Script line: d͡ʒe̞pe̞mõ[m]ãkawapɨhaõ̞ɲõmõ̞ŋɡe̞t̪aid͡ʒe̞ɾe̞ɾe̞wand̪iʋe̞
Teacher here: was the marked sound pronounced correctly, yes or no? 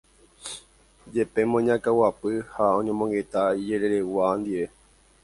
no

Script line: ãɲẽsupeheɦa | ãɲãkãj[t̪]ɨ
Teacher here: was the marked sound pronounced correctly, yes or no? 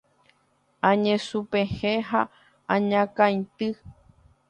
yes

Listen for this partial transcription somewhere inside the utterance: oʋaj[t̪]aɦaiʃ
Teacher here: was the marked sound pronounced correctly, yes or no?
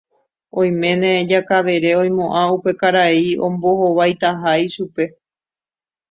yes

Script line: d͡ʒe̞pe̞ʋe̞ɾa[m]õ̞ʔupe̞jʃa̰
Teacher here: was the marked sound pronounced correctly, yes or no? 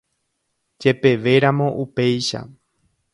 yes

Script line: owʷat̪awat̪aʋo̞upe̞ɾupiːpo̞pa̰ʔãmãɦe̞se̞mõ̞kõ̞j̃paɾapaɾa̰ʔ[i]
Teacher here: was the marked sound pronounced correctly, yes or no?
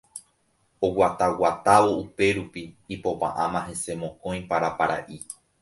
yes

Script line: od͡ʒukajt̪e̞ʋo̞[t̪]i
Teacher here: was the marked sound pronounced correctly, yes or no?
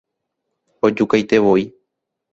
no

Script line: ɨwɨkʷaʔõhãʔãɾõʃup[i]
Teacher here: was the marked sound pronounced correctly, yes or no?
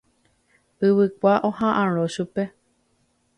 no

